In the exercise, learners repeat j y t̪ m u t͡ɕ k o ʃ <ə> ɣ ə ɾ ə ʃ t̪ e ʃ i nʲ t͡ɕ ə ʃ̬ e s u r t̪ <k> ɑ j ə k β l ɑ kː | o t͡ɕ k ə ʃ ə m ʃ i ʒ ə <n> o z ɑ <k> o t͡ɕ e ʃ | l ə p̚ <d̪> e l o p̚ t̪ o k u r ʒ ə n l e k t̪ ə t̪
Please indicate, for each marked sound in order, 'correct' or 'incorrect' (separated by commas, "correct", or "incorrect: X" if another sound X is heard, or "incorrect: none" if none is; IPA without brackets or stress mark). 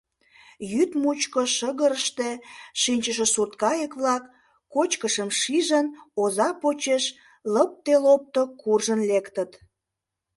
correct, correct, correct, incorrect: p, incorrect: t̪